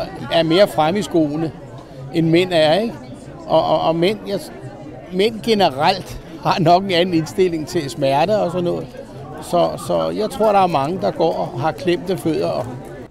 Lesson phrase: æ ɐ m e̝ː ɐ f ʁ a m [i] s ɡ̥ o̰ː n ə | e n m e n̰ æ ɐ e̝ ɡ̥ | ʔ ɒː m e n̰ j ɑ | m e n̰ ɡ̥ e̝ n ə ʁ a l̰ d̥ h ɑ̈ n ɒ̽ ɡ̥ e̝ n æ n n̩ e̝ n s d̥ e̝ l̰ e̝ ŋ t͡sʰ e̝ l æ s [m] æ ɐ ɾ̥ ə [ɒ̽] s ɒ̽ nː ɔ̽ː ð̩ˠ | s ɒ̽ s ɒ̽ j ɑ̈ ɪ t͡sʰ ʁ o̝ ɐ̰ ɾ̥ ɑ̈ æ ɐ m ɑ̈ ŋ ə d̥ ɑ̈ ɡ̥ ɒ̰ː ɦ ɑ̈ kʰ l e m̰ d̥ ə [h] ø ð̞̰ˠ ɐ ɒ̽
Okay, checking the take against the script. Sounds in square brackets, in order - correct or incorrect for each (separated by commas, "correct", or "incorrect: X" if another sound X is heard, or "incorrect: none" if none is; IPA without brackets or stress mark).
correct, correct, correct, incorrect: f